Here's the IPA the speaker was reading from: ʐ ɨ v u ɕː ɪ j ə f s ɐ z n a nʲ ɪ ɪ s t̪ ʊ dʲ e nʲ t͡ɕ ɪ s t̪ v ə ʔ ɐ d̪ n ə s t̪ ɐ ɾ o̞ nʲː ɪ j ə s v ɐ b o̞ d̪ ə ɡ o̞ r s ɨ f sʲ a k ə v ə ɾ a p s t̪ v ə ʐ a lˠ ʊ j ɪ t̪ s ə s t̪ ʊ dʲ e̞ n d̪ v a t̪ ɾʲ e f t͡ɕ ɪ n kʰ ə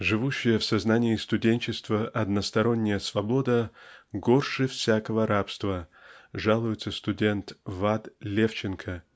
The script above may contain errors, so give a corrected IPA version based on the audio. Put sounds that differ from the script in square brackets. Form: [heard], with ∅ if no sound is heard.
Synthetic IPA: ʐ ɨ v u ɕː ɪ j ə f s ɐ z n a nʲ ɪ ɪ s t̪ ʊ dʲ e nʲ t͡ɕ ɪ s t̪ v ə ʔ ɐ d̪ n ə s t̪ ɐ ɾ o̞ nʲː ɪ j ə s v ɐ b o̞ d̪ ə ɡ o̞ r [ʂ] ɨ f sʲ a k ə v ə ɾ a p s t̪ v ə ʐ a lˠ ʊ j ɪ t̪ s ə s t̪ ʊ dʲ e̞ n [t̪] v a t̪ [lʲ] e f t͡ɕ ɪ n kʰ ə